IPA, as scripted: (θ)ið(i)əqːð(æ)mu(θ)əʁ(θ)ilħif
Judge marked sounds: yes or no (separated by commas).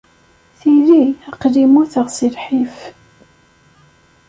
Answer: yes, yes, no, yes, no